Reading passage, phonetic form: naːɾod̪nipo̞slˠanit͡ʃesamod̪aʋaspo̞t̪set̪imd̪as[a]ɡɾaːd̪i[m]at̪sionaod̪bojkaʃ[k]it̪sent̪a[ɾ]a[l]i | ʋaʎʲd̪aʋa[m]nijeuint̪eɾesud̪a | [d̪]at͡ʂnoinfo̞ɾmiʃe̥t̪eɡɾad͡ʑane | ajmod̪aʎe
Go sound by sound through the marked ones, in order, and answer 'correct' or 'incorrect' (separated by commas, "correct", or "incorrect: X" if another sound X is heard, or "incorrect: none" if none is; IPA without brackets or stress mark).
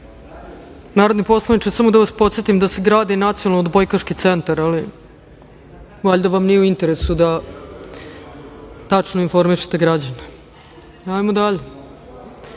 incorrect: e, incorrect: n, correct, correct, correct, correct, incorrect: t̪